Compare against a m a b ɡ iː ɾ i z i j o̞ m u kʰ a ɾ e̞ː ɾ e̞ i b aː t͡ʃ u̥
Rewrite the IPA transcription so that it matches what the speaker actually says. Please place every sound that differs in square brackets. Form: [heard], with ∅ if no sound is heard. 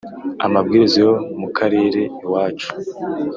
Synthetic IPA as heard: a m a b ɡ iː ɾ i z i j o̞ m u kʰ a ɾ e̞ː ɾ e̞ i [w] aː t͡ʃ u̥